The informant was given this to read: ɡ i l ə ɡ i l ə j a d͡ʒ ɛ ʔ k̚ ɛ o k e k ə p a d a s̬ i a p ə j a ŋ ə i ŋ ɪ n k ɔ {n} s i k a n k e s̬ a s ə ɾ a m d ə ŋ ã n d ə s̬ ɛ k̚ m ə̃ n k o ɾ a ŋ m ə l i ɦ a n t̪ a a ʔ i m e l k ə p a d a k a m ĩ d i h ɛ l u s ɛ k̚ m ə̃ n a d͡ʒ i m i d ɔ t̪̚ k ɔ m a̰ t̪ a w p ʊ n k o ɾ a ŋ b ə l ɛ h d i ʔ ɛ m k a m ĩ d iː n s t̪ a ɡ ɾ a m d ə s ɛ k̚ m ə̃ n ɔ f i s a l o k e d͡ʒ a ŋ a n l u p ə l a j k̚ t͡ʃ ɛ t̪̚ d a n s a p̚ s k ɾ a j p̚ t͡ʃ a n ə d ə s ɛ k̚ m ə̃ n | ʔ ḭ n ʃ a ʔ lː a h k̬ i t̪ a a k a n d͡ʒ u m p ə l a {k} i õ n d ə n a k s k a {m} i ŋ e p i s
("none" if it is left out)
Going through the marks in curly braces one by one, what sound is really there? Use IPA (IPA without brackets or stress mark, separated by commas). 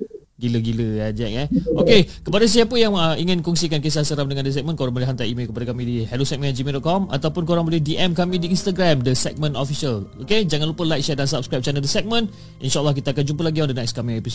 ŋ, ɡ, m